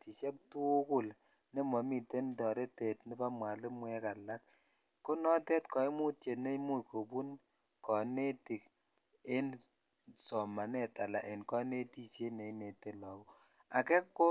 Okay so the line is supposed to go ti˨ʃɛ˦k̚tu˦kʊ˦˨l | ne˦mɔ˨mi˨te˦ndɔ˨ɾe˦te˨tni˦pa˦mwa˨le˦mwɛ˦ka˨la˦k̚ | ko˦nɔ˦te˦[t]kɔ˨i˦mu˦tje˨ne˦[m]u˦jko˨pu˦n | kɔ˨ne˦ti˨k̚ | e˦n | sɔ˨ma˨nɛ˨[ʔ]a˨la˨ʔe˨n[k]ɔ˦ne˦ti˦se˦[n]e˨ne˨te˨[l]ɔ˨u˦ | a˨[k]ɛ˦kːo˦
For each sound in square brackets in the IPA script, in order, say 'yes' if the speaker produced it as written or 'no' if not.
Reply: yes, yes, no, yes, yes, yes, yes

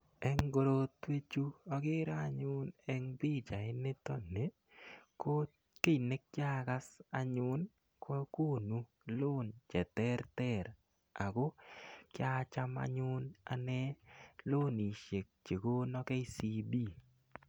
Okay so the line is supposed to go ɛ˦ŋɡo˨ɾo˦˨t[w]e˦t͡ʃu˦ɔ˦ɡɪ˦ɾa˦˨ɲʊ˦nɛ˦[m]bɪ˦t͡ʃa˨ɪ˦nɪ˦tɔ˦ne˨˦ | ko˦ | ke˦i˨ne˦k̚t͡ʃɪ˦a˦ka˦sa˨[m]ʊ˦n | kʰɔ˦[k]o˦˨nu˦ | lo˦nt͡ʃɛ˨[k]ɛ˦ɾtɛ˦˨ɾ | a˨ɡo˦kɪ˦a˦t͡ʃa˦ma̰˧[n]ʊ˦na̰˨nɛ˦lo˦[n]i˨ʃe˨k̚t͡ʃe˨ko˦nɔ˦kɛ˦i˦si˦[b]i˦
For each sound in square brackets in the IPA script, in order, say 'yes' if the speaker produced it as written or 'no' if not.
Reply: yes, no, no, yes, no, no, yes, yes

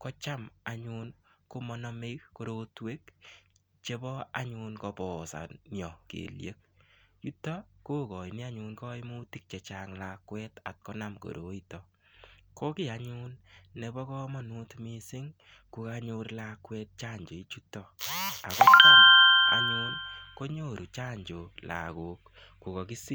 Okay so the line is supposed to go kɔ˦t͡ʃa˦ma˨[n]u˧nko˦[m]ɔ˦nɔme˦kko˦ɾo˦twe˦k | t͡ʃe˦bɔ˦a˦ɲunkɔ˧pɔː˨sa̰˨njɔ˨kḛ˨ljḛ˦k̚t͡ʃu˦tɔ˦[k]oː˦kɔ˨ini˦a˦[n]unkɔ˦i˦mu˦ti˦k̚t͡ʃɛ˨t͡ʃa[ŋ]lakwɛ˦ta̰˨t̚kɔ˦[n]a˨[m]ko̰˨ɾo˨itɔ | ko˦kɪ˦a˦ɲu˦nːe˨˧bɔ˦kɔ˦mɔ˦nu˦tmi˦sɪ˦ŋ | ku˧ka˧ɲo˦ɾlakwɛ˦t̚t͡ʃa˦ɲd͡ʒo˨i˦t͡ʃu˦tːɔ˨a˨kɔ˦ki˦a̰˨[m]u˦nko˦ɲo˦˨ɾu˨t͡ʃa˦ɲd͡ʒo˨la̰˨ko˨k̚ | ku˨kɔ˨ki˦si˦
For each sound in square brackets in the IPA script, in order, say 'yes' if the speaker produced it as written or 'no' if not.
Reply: no, yes, yes, no, yes, yes, yes, no

